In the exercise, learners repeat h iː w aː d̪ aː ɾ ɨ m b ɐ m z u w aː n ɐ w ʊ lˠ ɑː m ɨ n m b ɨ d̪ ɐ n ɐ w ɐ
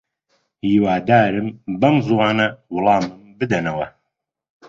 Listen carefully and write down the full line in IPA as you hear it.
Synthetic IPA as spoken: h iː w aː d̪ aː ɾ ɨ m b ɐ m z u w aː n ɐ w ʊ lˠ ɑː m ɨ m b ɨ d̪ ɐ n ɐ w ɐ